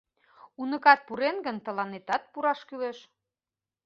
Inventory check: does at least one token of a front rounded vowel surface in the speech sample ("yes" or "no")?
yes